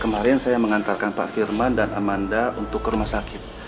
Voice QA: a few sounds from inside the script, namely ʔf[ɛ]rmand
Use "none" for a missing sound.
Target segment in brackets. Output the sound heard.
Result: i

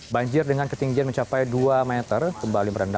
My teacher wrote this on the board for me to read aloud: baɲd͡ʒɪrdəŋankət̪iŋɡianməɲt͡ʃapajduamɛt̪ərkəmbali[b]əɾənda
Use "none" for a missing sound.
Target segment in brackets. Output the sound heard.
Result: m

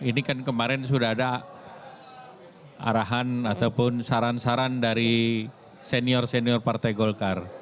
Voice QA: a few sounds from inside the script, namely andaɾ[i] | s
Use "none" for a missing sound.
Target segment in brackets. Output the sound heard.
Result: i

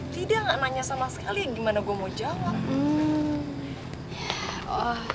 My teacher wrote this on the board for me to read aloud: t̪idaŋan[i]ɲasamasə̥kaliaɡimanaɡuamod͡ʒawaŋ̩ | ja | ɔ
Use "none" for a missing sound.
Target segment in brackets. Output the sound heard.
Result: a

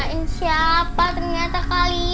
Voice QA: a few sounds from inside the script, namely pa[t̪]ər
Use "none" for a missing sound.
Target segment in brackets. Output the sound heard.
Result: t̪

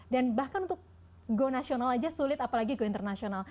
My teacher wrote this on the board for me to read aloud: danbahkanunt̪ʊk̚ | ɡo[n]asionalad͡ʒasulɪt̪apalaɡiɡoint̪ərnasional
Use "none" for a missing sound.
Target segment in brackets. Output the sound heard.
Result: n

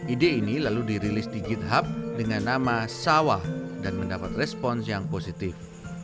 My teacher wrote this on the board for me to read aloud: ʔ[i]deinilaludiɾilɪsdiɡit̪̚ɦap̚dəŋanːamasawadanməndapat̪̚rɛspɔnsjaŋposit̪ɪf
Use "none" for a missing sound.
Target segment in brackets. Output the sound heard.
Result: i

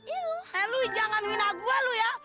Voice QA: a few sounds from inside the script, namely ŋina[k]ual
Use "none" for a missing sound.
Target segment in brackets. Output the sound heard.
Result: ɡ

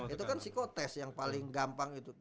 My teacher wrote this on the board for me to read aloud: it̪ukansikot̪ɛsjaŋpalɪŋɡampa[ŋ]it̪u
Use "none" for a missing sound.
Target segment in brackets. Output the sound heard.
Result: ŋ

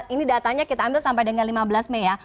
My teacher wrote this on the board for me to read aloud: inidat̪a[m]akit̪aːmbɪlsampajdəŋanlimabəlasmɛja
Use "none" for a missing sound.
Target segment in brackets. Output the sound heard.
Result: ɲ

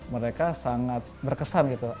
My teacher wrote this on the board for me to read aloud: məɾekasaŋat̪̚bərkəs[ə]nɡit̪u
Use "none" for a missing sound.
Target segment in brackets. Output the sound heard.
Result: a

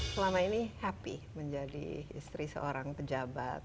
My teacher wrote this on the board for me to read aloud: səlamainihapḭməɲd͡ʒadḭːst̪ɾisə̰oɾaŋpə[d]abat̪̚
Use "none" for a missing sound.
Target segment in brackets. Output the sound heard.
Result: d͡ʒ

